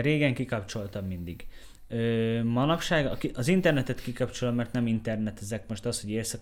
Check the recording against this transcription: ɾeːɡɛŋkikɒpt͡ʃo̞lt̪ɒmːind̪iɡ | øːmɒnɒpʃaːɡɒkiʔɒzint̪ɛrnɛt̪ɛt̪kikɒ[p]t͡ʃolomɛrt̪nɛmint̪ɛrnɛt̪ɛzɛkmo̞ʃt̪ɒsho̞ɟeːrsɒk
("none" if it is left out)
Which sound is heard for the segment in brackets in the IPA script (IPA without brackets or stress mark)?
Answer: p